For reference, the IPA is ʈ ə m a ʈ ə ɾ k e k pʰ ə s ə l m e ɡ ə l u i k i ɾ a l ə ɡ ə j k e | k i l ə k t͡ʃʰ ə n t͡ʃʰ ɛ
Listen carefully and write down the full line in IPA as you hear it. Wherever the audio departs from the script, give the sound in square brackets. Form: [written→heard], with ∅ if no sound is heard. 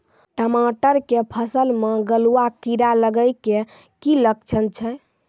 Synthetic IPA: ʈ ə m a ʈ ə ɾ k e [k→∅] pʰ ə s ə l m e ɡ ə l u [i→a] k i ɾ a l ə ɡ ə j k e | k i l ə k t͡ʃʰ ə n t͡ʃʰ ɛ